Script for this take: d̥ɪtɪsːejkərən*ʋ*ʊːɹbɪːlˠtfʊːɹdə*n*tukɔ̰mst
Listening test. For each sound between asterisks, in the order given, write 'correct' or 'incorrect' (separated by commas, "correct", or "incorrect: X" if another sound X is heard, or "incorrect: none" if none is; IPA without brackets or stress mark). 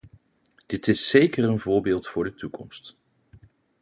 incorrect: v, incorrect: none